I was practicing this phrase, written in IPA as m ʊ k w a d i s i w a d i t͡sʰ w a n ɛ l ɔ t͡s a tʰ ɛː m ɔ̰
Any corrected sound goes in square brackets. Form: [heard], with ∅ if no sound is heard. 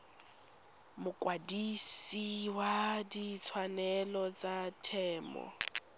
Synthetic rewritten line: m ʊ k w a d i s i w a d i t͡sʰ w a n ɛ l ɔ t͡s a tʰ ɛː m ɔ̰